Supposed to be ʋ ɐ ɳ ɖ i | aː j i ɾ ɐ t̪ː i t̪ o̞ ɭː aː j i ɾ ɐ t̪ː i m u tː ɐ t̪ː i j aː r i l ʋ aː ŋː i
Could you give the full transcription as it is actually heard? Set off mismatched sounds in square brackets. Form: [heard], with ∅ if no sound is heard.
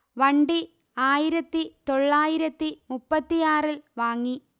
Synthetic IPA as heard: ʋ ɐ ɳ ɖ i | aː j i ɾ ɐ t̪ː i t̪ o̞ ɭː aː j i ɾ ɐ t̪ː i m u [pː] ɐ t̪ː i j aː r i l ʋ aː ŋː i